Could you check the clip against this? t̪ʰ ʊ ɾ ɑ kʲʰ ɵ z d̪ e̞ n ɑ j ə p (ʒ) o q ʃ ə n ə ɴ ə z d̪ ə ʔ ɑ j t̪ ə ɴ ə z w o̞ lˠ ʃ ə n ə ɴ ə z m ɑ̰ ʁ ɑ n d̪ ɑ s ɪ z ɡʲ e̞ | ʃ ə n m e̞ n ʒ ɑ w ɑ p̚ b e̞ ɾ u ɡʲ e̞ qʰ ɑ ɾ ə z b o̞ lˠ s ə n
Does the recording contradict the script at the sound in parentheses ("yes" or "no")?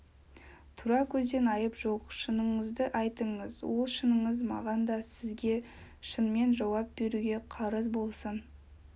no